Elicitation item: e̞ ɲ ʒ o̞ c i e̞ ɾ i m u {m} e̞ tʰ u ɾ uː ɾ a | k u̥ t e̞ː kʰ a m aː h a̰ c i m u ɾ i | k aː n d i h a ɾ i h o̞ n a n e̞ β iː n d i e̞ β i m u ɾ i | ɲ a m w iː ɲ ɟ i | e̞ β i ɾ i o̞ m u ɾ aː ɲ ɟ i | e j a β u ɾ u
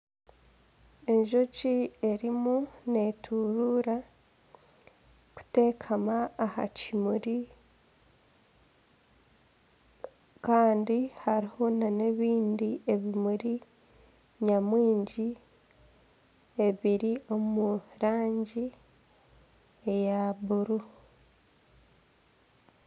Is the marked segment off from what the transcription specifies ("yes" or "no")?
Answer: yes